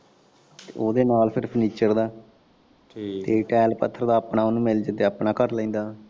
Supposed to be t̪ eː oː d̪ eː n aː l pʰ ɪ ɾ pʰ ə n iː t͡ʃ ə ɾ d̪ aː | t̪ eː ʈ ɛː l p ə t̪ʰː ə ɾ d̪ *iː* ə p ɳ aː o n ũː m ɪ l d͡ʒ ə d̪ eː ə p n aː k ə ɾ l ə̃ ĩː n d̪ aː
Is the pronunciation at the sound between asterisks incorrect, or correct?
incorrect